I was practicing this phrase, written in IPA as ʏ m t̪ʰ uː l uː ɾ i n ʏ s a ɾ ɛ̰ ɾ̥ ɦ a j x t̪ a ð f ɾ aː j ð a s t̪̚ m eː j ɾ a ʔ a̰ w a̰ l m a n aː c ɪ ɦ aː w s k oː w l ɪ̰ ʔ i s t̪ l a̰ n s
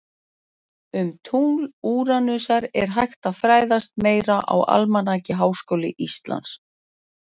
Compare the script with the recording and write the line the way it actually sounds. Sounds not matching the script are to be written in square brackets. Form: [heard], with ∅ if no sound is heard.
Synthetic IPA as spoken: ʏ m t̪ʰ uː l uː ɾ [a] n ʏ s a ɾ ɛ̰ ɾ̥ ɦ a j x t̪ a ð f ɾ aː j ð a s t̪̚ m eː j ɾ a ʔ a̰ w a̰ l m a n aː c ɪ ɦ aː w s k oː w l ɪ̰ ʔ i s t̪ l a̰ n s